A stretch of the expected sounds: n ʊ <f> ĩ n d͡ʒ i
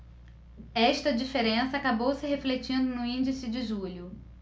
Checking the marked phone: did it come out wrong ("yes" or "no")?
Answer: yes